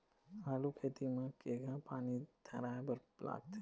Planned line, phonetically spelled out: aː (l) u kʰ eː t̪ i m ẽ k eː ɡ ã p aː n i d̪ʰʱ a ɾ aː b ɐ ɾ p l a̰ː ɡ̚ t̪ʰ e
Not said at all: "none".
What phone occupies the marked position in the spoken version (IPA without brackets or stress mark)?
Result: l